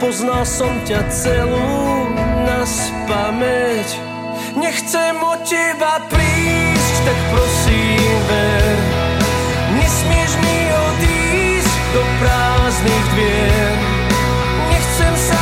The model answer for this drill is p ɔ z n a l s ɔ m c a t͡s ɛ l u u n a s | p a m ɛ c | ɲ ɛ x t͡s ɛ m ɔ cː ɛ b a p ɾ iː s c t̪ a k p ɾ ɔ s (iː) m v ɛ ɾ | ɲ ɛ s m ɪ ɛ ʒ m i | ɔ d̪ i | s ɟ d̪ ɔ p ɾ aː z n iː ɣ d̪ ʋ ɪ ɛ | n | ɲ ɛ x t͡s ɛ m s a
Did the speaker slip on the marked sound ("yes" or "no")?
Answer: no